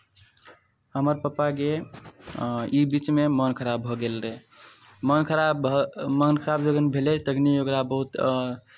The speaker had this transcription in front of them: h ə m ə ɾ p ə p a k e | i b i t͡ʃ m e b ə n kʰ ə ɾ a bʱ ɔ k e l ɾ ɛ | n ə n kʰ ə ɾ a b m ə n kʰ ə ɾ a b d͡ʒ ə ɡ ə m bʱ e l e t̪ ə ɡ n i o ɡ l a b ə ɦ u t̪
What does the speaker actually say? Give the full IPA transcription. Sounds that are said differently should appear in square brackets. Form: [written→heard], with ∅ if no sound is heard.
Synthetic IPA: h ə m ə ɾ p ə p a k e | i b i t͡ʃ m e [b→m] ə n kʰ ə ɾ a bʱ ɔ [k→ɡ] e l ɾ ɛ | [n→m] ə n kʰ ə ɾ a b m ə n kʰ ə ɾ a b d͡ʒ ə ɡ ə [m→n] bʱ e l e t̪ ə ɡ n i o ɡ [l→ɾ] a b ə ɦ u t̪